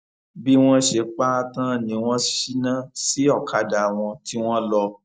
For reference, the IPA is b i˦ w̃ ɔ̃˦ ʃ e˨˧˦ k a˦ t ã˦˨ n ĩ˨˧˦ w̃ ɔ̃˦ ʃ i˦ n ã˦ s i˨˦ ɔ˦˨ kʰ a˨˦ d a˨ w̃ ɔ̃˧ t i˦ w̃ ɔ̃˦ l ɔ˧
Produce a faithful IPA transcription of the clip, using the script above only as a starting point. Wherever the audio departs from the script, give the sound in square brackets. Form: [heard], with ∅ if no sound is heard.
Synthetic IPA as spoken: b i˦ w̃ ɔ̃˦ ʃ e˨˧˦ [k͡p] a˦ t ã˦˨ n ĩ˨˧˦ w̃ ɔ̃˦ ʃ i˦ n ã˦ s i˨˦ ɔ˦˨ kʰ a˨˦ d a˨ w̃ ɔ̃˧ t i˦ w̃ ɔ̃˦ l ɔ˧